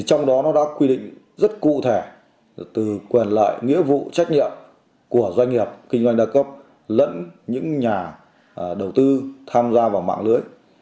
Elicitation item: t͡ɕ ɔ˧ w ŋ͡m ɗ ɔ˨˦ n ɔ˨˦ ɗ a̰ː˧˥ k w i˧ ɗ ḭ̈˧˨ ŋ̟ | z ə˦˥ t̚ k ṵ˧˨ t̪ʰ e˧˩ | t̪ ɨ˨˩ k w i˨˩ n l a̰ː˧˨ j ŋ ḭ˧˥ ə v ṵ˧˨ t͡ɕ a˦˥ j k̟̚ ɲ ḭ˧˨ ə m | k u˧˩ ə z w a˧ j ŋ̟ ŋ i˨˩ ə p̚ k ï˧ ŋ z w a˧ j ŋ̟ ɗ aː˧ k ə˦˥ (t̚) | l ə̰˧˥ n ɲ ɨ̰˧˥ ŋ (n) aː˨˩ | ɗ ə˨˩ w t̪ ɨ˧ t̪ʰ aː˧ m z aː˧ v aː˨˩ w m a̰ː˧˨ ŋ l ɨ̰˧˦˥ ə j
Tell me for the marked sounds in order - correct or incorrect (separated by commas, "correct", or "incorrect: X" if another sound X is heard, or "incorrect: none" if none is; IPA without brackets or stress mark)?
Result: incorrect: p̚, incorrect: ɲ